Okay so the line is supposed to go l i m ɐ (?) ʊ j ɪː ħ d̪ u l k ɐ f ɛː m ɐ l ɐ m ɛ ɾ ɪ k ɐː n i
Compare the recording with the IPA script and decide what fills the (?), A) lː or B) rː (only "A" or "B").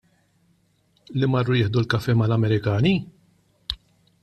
B